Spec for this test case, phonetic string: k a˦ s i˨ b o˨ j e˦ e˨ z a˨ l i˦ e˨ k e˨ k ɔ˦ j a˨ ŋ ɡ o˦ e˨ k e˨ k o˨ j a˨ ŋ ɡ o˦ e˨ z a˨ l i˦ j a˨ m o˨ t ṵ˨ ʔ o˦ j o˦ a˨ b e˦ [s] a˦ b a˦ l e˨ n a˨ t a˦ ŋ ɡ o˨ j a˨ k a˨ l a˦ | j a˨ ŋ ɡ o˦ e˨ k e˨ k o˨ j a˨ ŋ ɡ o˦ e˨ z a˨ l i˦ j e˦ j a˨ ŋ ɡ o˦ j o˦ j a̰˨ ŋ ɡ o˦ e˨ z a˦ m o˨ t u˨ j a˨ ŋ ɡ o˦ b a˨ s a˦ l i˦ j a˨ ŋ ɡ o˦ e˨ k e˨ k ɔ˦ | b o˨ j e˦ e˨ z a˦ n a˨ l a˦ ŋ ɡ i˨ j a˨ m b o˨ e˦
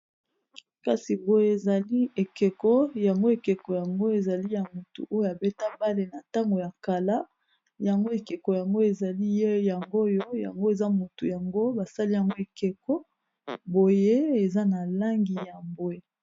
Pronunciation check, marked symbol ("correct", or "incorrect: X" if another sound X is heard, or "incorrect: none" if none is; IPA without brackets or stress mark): incorrect: t